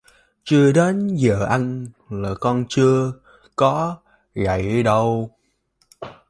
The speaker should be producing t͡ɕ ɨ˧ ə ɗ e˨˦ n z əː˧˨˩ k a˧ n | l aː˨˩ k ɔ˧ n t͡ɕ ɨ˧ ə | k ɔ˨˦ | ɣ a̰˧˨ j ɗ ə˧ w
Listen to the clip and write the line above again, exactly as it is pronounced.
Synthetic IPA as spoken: t͡ɕ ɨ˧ ə ɗ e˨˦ n z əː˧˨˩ ʔ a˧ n | l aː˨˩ k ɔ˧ n t͡ɕ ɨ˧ ə | k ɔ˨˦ | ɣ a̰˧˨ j ɗ ə˧ w